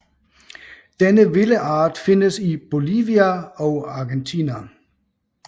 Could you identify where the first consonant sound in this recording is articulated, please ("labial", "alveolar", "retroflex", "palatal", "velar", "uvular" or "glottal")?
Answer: alveolar